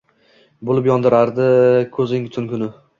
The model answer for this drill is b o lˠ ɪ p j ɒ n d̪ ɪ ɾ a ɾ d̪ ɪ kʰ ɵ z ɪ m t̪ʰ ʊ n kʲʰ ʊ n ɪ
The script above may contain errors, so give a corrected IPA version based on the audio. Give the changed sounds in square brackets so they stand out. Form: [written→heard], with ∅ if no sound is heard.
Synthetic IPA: b o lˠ ɪ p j ɒ n d̪ ɪ ɾ a ɾ d̪ ɪ kʰ ɵ z ɪ [m→ŋ] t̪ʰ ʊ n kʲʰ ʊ n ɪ